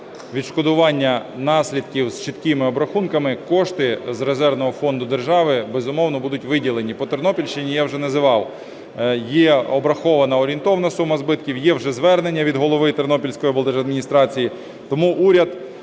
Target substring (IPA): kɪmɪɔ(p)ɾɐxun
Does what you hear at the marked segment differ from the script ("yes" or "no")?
yes